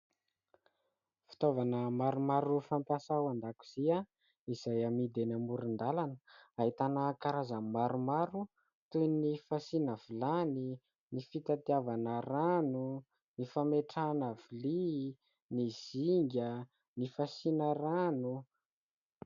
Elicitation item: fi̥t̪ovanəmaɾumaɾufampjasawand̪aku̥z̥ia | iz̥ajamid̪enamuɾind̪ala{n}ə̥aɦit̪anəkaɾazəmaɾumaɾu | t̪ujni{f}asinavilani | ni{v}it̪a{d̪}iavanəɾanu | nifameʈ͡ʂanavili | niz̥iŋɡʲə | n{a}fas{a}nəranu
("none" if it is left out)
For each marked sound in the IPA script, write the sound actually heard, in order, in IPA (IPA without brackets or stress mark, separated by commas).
n, f, f, t̪, i, i